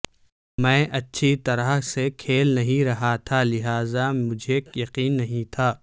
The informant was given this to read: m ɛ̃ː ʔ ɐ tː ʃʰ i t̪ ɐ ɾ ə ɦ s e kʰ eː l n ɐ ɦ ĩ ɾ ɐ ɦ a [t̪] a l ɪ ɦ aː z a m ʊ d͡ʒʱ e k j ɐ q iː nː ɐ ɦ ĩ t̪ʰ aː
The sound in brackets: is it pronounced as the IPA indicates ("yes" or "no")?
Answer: no